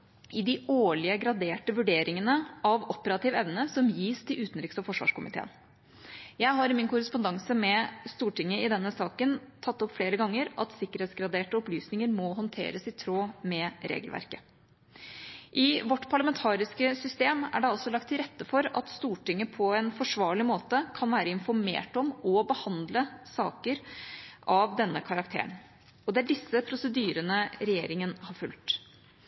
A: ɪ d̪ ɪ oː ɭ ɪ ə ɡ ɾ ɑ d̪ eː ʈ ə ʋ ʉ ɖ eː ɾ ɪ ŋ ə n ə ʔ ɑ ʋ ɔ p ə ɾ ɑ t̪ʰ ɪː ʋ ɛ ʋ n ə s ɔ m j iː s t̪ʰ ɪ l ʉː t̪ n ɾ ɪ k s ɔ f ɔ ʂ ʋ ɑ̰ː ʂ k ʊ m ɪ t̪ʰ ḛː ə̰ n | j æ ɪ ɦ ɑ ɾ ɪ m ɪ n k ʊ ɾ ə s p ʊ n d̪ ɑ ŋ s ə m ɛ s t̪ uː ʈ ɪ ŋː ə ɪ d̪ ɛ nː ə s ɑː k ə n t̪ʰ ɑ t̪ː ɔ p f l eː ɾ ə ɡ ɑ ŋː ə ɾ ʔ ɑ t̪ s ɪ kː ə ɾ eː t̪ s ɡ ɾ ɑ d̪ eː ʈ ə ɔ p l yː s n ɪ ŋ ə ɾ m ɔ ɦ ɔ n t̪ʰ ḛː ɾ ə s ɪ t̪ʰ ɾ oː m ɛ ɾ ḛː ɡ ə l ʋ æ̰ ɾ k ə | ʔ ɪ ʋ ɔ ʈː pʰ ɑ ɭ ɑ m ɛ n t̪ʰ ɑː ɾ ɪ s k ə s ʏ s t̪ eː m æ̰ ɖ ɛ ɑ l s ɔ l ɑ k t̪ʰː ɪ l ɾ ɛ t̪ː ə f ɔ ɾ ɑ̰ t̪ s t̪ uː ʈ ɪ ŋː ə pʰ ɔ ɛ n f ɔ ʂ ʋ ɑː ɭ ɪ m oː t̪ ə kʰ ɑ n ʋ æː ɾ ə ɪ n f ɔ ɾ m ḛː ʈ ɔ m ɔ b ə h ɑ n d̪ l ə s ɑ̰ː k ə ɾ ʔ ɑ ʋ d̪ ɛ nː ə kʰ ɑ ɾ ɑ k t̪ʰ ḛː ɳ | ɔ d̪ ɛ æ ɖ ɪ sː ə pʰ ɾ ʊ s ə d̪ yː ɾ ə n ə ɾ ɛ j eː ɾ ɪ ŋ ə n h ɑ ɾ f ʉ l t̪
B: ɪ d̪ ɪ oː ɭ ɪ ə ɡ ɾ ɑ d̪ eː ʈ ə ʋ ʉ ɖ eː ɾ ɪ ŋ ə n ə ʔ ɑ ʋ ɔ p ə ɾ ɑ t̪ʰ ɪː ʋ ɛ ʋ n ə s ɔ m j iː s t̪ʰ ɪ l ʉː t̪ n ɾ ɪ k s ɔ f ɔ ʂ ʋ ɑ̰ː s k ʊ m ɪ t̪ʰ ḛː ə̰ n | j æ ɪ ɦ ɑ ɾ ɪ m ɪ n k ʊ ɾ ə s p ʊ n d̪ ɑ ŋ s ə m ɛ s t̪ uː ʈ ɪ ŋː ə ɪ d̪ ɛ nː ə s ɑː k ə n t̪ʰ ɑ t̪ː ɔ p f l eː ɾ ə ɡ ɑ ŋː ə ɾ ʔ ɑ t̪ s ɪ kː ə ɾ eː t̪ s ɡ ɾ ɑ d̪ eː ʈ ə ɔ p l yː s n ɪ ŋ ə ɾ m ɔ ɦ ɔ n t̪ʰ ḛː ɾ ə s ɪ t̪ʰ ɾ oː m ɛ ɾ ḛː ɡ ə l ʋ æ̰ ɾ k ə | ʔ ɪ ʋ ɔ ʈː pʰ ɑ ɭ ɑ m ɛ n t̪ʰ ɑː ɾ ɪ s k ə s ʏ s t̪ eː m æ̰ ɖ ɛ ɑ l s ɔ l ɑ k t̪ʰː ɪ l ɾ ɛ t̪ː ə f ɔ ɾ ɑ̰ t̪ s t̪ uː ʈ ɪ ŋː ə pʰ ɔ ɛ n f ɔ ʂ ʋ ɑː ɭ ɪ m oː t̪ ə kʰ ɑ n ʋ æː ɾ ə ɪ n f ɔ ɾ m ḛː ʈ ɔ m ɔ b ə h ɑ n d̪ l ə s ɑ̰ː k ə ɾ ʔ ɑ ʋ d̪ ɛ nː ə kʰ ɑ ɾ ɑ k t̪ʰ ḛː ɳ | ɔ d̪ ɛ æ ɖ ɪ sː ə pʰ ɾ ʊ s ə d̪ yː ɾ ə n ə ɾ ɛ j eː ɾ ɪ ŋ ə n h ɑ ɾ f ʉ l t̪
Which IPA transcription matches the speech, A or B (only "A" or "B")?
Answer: A